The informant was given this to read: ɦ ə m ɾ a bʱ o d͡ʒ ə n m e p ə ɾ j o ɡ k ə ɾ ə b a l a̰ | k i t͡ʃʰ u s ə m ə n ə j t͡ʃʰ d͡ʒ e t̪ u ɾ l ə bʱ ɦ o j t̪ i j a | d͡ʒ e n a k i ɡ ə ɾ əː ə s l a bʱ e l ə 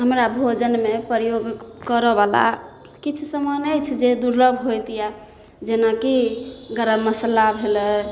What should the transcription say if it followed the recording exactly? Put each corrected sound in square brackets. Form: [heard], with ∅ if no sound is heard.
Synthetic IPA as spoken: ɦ ə m ɾ a bʱ o d͡ʒ ə n m e p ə ɾ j o ɡ k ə ɾ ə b a l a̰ | k i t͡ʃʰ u s ə m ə n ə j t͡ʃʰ d͡ʒ e [d̪] u ɾ l ə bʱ ɦ o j t̪ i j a | d͡ʒ e n a k i ɡ ə ɾ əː ə s l a bʱ e l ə